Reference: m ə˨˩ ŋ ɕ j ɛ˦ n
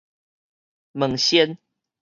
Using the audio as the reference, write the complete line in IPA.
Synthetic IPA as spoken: m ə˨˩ ŋ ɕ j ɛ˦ n